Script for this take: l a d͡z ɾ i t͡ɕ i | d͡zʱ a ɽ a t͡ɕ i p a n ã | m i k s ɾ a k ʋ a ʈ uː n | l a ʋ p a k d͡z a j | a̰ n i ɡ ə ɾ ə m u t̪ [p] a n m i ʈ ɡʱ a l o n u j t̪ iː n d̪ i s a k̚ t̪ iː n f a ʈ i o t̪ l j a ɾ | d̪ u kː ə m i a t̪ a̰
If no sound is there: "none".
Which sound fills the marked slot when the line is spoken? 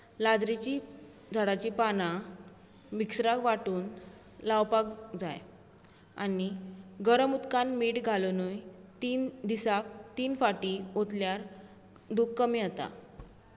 k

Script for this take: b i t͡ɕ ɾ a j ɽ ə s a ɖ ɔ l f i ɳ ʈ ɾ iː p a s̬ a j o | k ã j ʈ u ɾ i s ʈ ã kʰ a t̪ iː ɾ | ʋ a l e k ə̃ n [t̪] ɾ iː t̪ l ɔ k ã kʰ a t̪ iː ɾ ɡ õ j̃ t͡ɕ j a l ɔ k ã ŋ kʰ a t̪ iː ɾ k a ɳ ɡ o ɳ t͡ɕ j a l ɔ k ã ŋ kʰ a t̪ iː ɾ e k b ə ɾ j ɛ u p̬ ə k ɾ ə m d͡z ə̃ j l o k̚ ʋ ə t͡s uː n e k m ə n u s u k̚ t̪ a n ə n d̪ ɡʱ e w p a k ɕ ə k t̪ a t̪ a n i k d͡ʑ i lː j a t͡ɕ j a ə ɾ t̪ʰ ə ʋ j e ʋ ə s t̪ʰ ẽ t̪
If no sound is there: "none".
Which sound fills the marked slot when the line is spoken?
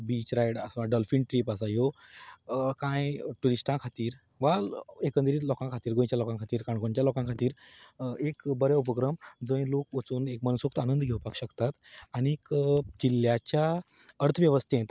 d̪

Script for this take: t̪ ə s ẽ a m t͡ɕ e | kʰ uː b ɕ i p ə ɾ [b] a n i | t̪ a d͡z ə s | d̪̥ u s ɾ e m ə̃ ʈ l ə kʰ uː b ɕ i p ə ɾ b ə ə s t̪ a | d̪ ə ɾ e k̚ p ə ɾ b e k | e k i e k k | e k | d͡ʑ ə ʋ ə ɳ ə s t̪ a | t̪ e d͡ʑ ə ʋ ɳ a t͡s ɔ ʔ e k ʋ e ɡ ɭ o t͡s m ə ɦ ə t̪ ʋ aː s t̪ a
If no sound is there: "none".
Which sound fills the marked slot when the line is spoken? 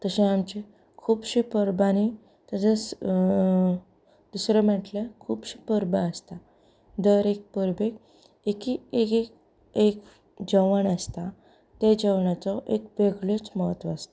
b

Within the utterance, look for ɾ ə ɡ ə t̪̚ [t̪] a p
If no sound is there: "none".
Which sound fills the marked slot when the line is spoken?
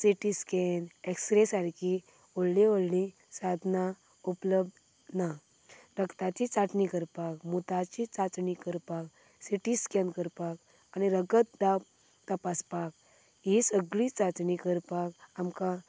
d̪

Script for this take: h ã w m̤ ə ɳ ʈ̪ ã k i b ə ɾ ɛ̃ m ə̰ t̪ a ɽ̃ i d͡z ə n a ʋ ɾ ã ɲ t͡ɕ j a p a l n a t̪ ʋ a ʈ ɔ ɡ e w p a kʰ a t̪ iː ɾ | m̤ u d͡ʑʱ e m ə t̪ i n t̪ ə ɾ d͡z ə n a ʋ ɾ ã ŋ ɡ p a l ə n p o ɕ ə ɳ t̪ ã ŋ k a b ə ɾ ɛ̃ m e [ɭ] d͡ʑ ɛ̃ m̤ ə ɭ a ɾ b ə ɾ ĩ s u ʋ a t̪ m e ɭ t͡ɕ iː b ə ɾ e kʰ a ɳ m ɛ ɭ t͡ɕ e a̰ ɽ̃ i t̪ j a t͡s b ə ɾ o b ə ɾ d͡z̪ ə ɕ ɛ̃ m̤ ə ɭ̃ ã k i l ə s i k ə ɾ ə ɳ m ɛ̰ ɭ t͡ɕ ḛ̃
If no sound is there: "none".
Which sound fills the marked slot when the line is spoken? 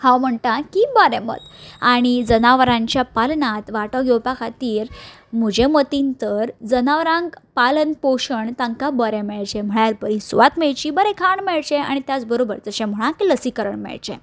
ɭ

